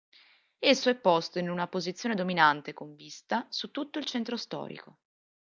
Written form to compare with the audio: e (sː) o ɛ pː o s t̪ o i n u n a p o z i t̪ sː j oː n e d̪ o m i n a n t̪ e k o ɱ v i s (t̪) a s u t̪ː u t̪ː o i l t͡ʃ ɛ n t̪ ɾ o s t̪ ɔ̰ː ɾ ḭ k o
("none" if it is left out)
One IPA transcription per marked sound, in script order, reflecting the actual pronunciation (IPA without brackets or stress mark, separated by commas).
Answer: sː, t̪